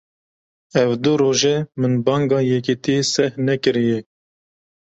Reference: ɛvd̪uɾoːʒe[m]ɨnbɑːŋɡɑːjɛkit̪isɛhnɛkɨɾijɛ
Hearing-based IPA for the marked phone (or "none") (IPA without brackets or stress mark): m